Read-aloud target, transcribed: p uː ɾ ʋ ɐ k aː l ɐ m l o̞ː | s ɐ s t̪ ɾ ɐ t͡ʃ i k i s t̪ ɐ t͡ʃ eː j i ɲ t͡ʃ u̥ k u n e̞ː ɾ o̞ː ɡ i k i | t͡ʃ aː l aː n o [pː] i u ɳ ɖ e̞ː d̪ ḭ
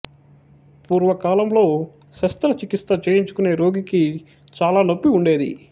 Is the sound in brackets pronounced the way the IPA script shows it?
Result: yes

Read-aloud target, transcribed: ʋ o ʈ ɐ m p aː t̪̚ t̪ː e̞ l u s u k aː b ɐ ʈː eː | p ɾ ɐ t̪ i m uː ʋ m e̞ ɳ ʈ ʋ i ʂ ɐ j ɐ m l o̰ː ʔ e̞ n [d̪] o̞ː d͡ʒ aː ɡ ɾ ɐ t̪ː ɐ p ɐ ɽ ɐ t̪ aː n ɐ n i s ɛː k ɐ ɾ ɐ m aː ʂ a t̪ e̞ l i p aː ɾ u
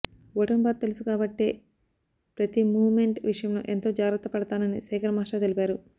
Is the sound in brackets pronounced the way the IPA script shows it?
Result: no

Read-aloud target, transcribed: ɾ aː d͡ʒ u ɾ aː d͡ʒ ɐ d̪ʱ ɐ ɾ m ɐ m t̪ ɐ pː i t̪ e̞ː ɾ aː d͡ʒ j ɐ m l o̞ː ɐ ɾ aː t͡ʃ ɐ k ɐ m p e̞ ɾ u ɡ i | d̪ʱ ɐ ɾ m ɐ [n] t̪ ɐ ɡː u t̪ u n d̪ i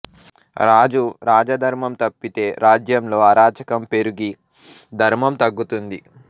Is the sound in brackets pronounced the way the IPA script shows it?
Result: no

